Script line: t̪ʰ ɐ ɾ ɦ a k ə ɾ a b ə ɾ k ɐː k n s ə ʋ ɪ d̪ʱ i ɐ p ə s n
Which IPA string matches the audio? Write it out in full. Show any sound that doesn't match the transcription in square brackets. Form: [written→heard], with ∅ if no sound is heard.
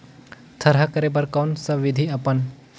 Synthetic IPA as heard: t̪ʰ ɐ ɾ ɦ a k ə ɾ [a→e] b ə ɾ k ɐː [k→∅] n s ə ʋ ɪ d̪ʱ i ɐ p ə [s→∅] n